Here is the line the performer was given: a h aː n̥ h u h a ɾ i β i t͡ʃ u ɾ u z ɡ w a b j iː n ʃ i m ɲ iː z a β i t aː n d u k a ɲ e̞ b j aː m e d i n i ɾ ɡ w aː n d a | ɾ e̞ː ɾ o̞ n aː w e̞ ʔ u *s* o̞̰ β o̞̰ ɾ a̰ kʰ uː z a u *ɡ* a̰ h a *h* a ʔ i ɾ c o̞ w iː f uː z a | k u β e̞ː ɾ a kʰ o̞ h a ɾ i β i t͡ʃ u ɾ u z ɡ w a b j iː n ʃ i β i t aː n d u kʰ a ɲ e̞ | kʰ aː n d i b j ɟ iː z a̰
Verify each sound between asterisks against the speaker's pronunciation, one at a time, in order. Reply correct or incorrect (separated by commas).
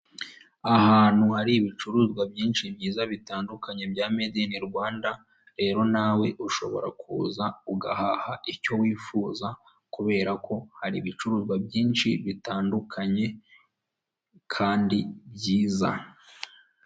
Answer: incorrect, correct, correct